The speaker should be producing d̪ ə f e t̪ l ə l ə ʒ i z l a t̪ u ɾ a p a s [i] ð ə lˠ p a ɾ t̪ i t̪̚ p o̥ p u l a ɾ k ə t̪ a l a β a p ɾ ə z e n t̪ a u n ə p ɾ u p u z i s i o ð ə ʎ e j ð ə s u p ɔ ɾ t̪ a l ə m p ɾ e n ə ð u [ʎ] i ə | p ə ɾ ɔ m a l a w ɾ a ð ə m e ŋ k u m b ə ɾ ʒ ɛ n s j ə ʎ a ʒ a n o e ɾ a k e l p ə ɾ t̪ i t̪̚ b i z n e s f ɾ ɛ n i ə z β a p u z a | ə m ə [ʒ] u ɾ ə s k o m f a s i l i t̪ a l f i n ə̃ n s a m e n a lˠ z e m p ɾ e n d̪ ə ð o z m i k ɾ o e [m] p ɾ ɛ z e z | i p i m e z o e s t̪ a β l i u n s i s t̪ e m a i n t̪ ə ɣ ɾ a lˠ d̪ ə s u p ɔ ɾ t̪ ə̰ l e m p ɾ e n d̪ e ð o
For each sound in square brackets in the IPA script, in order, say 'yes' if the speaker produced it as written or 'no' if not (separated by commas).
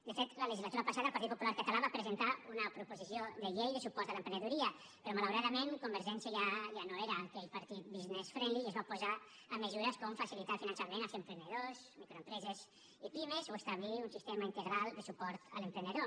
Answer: no, no, no, yes